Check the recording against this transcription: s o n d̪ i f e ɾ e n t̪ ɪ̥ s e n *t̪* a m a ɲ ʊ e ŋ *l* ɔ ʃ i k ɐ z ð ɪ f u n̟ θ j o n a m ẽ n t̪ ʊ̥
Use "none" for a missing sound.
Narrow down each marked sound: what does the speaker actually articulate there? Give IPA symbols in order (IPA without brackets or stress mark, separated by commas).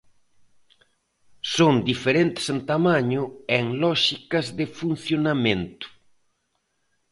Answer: t̪, l